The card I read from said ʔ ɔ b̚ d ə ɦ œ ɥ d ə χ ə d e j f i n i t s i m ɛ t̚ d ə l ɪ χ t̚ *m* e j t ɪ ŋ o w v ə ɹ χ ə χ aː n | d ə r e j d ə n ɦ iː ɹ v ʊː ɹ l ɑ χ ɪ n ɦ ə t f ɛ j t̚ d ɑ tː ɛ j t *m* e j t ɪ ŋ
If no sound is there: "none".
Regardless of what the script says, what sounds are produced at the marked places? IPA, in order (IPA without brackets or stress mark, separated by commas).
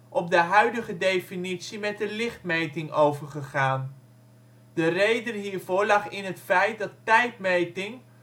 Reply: m, m